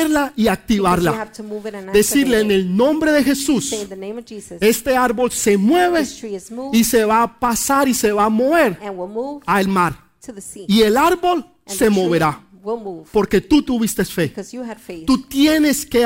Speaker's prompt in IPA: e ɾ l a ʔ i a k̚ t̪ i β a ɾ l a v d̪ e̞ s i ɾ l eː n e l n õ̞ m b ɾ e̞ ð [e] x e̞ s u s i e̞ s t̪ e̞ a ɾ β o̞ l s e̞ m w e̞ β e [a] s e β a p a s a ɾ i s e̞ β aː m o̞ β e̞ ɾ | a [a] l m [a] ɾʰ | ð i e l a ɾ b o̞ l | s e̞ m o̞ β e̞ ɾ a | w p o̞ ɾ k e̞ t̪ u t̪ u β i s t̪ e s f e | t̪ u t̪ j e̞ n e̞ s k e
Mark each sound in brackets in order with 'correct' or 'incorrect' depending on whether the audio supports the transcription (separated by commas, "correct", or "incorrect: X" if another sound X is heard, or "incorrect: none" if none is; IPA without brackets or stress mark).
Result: correct, incorrect: i, incorrect: e, correct